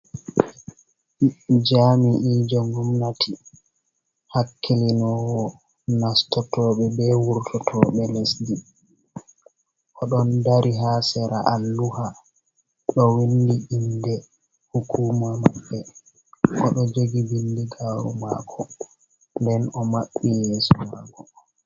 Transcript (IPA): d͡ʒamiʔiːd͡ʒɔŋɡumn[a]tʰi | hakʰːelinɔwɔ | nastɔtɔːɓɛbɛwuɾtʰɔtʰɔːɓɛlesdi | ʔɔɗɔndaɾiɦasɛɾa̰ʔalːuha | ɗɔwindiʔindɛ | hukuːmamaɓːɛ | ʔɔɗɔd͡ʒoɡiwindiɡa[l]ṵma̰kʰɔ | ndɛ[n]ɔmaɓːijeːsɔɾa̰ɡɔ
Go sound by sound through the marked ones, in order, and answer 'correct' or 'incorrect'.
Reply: correct, incorrect, correct

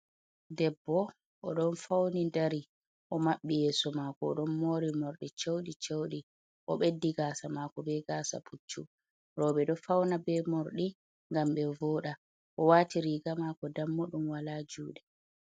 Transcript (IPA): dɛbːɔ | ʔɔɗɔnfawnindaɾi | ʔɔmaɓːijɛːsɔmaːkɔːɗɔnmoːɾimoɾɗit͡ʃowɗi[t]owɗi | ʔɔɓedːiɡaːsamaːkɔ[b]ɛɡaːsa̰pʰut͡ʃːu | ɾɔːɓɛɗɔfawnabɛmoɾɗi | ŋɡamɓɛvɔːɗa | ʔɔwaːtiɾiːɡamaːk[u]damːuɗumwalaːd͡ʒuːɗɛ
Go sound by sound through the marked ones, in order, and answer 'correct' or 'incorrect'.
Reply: incorrect, correct, incorrect

